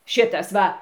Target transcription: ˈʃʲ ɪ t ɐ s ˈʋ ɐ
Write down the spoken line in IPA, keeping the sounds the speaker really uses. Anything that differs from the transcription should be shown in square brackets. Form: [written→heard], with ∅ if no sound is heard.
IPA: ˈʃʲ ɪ t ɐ s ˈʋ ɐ